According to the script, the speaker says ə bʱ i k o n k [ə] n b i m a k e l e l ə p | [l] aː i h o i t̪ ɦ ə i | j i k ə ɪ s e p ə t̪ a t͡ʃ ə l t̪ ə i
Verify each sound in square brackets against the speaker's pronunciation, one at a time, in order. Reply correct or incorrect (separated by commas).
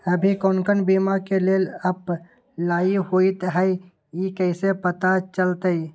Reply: correct, correct